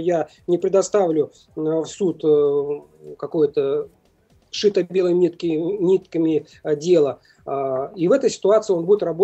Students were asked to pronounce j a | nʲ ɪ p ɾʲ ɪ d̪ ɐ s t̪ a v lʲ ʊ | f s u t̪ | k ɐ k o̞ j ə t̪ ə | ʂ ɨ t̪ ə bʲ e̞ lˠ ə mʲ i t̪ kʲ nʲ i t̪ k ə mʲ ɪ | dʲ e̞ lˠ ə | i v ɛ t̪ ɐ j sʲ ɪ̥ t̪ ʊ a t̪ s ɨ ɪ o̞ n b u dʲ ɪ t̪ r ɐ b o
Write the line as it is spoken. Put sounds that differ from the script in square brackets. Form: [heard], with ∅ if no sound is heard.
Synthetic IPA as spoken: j a | nʲ ɪ p ɾʲ ɪ d̪ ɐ s t̪ a v lʲ ʊ | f s u t̪ | k ɐ k o̞ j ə t̪ ə | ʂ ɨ t̪ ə bʲ e̞ lˠ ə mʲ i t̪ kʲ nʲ i t̪ k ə mʲ ɪ | dʲ e̞ lˠ ə | i v ɛ t̪ [ə] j sʲ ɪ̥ t̪ ʊ a t̪ s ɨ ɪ o̞ n b u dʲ ɪ t̪ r ɐ b o